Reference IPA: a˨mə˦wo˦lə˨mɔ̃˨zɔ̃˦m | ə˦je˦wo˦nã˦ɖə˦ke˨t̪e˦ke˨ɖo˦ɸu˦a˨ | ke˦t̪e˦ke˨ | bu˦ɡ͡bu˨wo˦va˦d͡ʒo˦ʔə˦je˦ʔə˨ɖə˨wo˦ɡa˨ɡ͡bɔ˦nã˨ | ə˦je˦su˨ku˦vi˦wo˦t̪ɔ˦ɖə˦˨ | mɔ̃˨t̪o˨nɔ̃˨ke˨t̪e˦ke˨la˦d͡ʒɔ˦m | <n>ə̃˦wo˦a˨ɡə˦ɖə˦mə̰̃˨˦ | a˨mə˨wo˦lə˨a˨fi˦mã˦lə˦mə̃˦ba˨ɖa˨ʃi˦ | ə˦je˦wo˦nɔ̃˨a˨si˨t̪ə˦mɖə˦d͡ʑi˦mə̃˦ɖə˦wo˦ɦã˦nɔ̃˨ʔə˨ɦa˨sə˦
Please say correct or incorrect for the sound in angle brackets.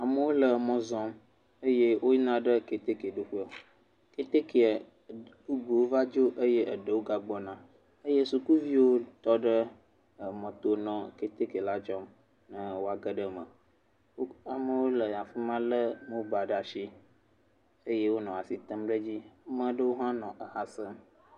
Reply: correct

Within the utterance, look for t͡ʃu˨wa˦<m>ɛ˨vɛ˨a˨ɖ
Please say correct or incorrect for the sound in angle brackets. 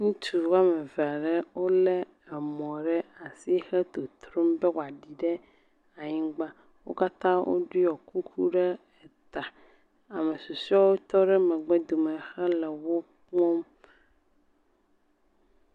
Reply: correct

